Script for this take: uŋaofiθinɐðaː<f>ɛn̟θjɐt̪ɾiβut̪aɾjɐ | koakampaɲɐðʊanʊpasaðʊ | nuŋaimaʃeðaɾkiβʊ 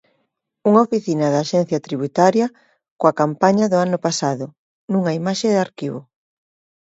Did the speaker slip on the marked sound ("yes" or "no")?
yes